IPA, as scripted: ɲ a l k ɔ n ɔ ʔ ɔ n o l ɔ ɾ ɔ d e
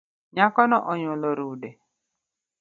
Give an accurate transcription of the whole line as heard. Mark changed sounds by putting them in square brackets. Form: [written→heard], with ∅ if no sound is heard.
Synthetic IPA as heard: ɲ a [l→∅] k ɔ n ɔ ʔ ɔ [n→ɲ] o l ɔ ɾ [ɔ→u] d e